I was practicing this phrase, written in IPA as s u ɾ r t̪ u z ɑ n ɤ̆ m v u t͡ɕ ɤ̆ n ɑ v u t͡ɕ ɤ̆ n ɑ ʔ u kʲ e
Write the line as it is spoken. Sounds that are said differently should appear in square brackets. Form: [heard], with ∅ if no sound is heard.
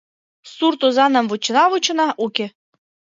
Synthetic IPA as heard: s u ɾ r t̪ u z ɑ n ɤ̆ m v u t͡ɕ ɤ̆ n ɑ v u t͡ɕ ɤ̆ n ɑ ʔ u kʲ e